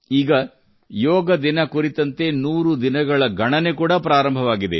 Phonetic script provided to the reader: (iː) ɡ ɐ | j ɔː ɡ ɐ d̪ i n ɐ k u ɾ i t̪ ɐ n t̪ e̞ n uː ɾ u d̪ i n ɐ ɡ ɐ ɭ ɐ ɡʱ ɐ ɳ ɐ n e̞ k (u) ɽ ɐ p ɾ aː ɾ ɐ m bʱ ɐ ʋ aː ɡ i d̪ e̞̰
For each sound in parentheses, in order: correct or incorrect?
correct, incorrect: uː

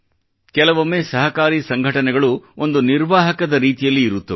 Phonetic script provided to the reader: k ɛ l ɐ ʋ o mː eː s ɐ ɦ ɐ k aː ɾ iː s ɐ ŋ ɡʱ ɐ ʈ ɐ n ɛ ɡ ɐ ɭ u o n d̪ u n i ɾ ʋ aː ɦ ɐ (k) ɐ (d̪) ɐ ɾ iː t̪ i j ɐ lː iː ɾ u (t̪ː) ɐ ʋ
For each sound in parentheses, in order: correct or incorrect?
correct, correct, correct

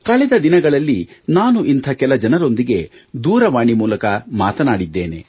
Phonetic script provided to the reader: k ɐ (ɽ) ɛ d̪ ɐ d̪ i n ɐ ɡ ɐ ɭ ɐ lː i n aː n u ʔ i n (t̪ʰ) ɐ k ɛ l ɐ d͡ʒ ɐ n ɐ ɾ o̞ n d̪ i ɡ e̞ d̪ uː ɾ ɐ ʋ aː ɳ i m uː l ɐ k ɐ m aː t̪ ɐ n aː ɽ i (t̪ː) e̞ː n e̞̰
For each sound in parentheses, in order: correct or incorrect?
incorrect: ɭ, correct, incorrect: d̪ː

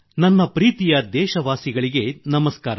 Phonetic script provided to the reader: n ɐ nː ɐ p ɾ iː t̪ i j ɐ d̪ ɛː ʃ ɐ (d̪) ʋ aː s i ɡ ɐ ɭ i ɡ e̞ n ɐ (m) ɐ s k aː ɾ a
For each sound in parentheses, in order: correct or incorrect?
incorrect: none, correct

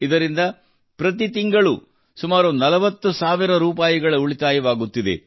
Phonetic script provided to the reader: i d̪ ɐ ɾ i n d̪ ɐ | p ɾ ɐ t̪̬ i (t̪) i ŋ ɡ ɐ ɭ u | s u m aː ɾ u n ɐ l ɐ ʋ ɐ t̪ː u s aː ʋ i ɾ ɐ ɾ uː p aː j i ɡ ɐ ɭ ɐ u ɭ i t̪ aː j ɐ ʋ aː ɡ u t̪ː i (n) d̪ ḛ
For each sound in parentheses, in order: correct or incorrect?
correct, incorrect: none

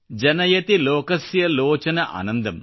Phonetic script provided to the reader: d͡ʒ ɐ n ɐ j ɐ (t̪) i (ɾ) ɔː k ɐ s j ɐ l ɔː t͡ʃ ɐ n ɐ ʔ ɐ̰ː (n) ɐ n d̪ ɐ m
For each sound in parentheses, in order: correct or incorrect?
correct, incorrect: l, correct

